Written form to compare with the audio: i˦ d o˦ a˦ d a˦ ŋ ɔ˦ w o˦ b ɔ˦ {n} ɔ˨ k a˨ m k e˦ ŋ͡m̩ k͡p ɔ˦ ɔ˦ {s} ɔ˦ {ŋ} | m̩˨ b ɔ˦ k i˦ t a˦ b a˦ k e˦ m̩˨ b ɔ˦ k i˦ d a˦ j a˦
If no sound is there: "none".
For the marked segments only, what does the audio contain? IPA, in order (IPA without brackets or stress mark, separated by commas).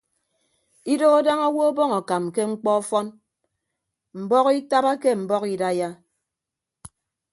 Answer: ŋ, f, n